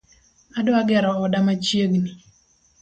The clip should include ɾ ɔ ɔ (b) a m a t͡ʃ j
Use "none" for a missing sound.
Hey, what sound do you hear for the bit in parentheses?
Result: d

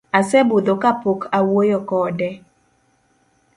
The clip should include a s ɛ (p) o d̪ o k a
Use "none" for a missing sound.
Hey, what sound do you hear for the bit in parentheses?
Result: b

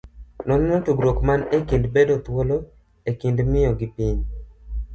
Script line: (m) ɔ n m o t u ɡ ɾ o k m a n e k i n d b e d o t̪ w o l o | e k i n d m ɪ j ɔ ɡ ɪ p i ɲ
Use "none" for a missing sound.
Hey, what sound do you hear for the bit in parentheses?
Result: n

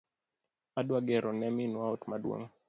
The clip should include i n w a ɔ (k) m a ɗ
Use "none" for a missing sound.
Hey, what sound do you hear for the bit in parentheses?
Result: t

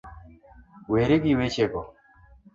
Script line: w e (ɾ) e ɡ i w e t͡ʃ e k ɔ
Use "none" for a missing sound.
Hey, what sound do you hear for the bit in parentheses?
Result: ɾ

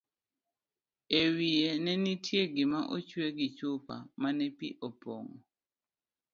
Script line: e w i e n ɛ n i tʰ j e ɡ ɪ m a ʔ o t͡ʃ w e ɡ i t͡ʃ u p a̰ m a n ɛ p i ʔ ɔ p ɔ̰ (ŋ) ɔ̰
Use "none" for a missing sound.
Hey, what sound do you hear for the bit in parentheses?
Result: ŋ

